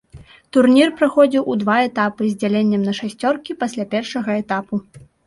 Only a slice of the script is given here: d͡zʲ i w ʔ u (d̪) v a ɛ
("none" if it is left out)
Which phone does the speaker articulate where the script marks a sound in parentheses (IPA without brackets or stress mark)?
d̪